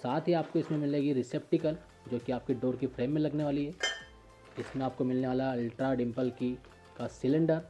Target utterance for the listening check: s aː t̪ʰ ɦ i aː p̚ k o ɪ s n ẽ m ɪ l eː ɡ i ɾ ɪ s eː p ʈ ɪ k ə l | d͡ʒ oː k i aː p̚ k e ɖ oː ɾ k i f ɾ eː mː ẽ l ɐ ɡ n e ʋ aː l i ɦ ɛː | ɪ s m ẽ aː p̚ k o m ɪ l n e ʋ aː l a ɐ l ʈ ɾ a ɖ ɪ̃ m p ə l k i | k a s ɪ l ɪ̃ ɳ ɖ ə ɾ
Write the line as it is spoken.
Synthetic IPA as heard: s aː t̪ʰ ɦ i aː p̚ k o ɪ s m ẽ m ɪ l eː ɡ i ɾ ɪ s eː p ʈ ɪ k ə l | d͡ʒ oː k i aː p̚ k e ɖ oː ɾ k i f ɾ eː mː ẽ l ɐ ɡ n e ʋ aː l i ɦ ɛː | ɪ s m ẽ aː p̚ k o m ɪ l n e ʋ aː l a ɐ l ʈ ɾ a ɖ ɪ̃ m p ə l k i | k a s ɪ l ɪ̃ ɳ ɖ ə ɾ

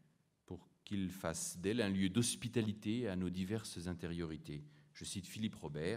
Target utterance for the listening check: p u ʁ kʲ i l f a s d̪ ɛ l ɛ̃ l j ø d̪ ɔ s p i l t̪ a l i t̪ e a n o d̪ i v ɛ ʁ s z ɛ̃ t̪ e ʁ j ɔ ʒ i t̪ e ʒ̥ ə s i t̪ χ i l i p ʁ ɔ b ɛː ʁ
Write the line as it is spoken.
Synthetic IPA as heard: p u ʁ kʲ i l f a s d̪ ɛ l ɛ̃ l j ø d̪ ɔ s p i t̪ a l i t̪ e a n o d̪ i v ɛ ʁ s z ɛ̃ t̪ e ʁ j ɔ ʁ i t̪ e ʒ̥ ə s i t̪ f i l i p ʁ ɔ b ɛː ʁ

